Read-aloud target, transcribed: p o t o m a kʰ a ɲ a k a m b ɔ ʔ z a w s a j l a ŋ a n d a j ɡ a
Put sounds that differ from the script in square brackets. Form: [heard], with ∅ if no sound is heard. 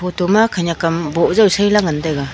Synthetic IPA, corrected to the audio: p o t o m a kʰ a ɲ a k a m b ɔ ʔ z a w s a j l a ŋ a n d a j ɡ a